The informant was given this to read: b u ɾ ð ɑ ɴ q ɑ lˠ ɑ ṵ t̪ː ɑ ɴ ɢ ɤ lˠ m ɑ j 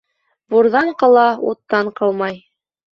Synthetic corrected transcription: b u ɾ ð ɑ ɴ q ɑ lˠ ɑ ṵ t̪ː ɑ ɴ q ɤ lˠ m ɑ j

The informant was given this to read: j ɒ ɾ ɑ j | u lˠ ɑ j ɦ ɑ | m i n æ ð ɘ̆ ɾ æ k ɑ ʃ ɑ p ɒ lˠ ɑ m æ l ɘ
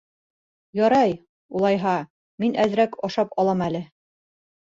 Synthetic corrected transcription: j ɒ ɾ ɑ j | u lˠ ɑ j ɦ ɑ | m i n æ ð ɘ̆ ɾ æ k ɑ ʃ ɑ p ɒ lˠ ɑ m æ l ɘ

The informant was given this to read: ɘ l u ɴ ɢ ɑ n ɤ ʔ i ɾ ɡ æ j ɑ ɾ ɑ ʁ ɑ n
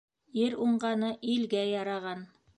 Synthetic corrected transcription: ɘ ɾ u ɴ ɢ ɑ n ɤ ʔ i l ɡ æ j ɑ ɾ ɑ ʁ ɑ n

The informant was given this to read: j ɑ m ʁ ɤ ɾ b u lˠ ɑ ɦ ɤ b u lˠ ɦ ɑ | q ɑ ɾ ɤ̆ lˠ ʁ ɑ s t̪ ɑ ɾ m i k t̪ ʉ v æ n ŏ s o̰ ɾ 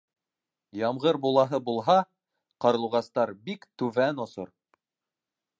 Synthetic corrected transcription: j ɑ m ʁ ɤ ɾ b u lˠ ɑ ɦ ɤ b u lˠ ɦ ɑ | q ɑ ɾ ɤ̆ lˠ ʁ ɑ s t̪ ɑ ɾ b i k t̪ ʉ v æ n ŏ s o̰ ɾ

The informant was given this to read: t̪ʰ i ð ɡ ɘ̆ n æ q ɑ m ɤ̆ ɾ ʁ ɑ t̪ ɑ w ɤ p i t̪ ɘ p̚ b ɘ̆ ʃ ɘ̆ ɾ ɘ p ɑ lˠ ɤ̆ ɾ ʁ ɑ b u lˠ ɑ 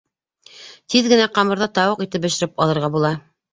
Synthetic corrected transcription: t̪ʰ i ð ɡ ɘ̆ n æ q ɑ m ɤ̆ ɾ ð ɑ t̪ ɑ w ɤ q i t̪ ɘ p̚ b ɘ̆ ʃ ɘ̆ ɾ ɘ p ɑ lˠ ɤ̆ ɾ ʁ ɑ b u lˠ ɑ

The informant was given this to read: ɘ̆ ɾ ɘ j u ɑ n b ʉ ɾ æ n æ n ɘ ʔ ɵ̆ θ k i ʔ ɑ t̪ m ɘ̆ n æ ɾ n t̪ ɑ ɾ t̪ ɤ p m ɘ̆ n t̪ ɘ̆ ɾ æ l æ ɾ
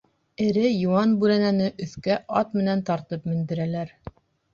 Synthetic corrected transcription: ɘ̆ ɾ ɘ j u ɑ n b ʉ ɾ æ n æ n ɘ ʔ ɵ̆ θ k æ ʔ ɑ t̪ m ɘ̆ n æ n t̪ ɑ ɾ t̪ ɤ p m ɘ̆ n d̪ ɘ̆ ɾ æ l æ ɾ

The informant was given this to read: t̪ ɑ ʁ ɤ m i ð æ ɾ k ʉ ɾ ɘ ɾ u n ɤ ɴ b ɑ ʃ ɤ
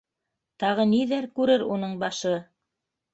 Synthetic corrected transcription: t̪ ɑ ʁ ɤ n i ð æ ɾ k ʉ ɾ ɘ ɾ u n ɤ ɴ b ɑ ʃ ɤ

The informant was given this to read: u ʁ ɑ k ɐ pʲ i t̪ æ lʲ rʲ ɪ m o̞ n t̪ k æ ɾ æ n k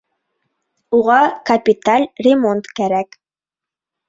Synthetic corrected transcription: u ʁ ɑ k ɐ pʲ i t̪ a lʲ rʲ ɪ m o̞ n t̪ k æ ɾ æ k

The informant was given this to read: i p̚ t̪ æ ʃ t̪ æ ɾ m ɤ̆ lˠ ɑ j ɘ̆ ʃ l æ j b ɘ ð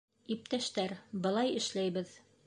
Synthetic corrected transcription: i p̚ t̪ æ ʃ t̪ æ ɾ b ɤ̆ lˠ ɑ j ɘ̆ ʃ l æ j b ɘ ð

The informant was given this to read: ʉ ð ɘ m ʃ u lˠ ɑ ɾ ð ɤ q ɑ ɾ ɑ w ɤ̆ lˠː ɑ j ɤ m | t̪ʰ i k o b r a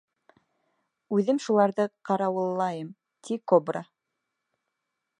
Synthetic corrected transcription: ʉ ð ɘ m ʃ u lˠ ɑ ɾ ð ɤ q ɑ ɾ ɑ w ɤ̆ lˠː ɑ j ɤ m | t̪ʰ i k o b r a

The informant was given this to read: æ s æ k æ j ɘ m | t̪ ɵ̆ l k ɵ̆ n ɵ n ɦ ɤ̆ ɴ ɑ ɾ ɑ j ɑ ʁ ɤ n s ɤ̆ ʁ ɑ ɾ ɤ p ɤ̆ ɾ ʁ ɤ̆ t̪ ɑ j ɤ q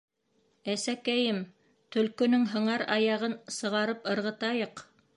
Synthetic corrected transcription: æ s æ k æ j ɘ m | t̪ ɵ̆ l k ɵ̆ n ɵ ŋ ɦ ɤ̆ ɴ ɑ ɾ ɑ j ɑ ʁ ɤ n s ɤ̆ ʁ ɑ ɾ ɤ p ɤ̆ ɾ ʁ ɤ̆ t̪ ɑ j ɤ q

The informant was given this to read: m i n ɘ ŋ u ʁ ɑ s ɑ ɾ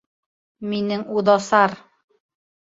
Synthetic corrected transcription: m i n ɘ ŋ u ð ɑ s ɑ ɾ

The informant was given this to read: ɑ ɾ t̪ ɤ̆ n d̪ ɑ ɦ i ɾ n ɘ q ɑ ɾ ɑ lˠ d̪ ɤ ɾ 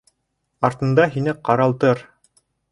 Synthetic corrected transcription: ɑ ɾ t̪ ɤ̆ n d̪ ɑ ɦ i n ɘ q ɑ ɾ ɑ lˠ t̪ ɤ ɾ

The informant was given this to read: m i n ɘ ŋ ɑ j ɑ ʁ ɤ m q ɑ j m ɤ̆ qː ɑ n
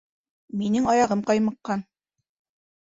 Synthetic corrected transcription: m i n ɘ ŋ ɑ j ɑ ʁ ɤ m q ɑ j m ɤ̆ qː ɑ n

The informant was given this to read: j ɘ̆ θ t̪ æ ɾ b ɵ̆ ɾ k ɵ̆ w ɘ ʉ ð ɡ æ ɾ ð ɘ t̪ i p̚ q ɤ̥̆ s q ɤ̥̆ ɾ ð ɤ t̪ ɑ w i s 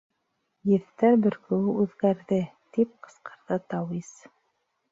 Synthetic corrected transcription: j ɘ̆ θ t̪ æ ɾ b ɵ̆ ɾ k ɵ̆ w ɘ ʉ ð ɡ æ ɾ ð ɘ t̪ i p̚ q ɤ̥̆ s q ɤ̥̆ ɾ ð ɤ t̪ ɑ w i s

